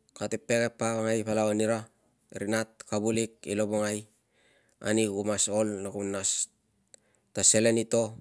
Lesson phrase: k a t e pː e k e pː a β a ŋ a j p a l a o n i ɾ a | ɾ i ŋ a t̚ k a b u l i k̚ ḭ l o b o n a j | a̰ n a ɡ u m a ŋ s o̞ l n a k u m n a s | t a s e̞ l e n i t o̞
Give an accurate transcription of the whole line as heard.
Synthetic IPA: k a t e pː e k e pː a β a ŋ a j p a l a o n i ɾ a | ɾ i n a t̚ k a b u l i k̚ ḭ l o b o ŋ a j | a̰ n i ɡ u m a s o̞ l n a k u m n a s | t a s e̞ l e n i t o̞